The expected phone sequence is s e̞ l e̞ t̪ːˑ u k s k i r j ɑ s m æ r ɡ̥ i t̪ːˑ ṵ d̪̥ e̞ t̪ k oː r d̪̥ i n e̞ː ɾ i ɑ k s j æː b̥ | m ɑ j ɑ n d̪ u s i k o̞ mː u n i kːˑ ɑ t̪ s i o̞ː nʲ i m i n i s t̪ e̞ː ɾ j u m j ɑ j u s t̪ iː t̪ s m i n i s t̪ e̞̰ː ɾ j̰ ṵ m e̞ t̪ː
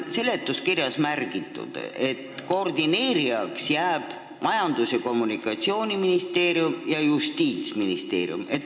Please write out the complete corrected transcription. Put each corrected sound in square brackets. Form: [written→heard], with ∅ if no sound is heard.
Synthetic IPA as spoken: s e̞ l e̞ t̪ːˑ u [k→∅] s k i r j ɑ s m æ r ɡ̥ i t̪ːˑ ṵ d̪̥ e̞ t̪ k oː r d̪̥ i n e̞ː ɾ i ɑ k s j æː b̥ | m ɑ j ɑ n d̪ u s [i→e] k o̞ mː u n i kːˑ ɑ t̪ s i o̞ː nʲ i m i n i s t̪ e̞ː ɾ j u m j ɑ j u s t̪ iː t̪ s m i n i s t̪ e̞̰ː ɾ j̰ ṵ m e̞ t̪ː